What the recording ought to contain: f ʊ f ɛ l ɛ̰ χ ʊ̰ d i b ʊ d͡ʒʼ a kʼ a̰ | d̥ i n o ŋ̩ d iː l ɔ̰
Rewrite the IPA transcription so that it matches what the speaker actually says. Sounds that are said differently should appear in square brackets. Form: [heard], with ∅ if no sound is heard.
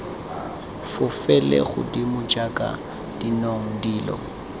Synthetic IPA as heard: f ʊ f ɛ l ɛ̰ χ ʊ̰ d i [m] ʊ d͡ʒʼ a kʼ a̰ | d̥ i n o ŋ̩ d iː l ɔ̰